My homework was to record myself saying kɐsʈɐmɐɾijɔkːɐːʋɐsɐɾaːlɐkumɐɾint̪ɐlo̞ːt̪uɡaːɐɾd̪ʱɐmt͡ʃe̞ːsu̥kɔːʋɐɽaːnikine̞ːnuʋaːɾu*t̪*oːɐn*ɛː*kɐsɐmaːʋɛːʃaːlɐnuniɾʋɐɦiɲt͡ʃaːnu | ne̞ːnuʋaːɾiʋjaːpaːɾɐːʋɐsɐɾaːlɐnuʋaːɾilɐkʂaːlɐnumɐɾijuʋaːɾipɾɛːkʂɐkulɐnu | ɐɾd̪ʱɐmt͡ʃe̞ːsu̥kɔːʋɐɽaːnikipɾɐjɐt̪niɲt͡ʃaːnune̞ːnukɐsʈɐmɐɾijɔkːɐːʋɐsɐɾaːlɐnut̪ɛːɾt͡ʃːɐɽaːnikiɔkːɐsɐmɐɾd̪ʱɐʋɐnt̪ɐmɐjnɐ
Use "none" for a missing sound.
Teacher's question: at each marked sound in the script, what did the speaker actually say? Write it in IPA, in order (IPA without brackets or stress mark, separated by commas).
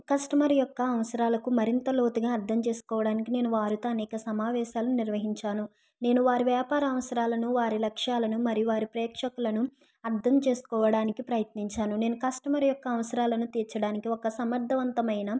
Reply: t̪, ɛː